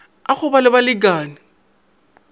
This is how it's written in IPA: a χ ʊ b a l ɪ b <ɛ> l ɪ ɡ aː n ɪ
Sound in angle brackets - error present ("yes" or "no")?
yes